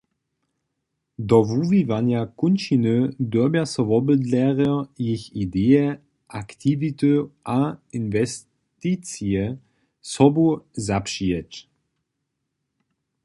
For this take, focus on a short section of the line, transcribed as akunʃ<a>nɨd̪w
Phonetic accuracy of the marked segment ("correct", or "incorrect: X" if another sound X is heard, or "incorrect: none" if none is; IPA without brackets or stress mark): incorrect: i